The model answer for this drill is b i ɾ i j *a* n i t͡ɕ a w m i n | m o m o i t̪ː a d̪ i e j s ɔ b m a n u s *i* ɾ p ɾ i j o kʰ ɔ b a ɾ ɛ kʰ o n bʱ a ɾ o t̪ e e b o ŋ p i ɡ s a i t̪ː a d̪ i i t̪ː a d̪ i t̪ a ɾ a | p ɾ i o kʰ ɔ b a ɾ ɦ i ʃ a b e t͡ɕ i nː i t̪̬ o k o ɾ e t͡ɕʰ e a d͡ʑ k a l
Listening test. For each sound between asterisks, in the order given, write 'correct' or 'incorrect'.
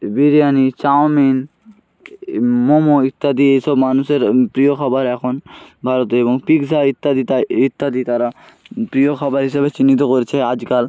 correct, incorrect

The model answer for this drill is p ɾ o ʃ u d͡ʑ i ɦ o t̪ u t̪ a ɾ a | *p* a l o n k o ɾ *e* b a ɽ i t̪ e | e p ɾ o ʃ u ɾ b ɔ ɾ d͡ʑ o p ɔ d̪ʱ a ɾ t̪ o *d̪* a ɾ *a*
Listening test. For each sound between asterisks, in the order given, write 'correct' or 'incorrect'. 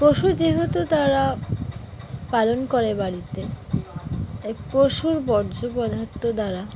correct, correct, correct, correct

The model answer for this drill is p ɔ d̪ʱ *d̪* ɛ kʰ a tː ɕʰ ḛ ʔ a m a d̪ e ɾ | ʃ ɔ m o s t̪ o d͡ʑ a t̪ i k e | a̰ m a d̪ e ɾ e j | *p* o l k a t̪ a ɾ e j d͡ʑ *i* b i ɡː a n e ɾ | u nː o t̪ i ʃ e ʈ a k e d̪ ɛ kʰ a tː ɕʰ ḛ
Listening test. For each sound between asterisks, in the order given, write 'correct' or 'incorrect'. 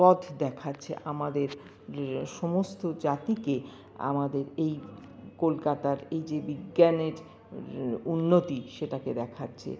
correct, incorrect, incorrect

